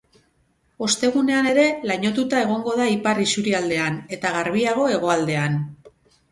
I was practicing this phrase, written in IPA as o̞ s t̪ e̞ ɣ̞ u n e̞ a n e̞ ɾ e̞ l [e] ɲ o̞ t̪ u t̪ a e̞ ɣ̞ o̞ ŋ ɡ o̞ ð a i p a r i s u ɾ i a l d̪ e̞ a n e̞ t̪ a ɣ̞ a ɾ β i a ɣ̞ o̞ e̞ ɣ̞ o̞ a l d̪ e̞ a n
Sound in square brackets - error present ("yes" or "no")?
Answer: yes